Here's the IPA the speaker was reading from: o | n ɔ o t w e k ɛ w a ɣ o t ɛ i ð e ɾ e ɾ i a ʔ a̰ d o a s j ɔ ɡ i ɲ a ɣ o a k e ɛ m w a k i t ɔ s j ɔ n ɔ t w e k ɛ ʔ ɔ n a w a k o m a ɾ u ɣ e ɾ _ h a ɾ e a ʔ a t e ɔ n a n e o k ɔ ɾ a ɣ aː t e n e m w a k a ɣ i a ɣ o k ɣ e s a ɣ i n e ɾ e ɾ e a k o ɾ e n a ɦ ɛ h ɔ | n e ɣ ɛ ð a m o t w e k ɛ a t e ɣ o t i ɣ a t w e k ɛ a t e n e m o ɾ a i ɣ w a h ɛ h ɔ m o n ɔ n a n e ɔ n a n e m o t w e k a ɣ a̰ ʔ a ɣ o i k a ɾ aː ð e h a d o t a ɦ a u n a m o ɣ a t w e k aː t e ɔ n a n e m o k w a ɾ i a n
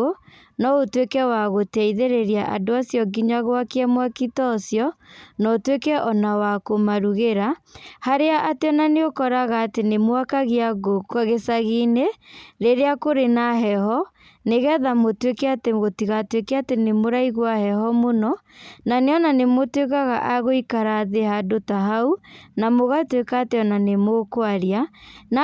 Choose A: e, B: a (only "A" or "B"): B